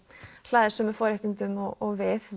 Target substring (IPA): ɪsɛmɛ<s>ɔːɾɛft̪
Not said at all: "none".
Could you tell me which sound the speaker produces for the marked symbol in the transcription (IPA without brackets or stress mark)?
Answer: f